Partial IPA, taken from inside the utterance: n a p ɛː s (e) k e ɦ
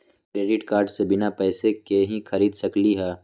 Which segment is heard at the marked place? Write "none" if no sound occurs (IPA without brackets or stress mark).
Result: e